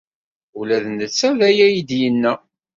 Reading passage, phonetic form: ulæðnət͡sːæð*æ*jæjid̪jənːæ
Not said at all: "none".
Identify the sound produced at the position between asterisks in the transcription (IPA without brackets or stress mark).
æ